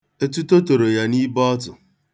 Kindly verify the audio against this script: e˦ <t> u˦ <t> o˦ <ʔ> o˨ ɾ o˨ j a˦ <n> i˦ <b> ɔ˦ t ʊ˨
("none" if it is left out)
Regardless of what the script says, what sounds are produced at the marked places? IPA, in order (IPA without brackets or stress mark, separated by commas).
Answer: t, t, t, n, b